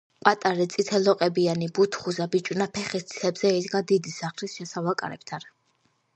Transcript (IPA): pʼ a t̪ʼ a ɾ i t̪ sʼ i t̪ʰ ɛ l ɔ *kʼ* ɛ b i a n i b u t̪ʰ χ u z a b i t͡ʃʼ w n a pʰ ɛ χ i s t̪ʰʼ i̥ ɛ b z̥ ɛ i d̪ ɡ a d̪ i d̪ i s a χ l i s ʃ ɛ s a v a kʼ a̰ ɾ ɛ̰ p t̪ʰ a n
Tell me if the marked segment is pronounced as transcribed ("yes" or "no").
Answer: no